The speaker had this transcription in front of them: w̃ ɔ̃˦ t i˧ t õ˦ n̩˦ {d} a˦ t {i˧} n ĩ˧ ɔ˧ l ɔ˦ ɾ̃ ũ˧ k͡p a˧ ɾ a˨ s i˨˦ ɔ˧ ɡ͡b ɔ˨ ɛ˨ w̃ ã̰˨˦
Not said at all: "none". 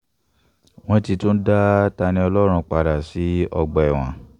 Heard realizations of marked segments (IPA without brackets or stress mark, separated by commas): d, a˧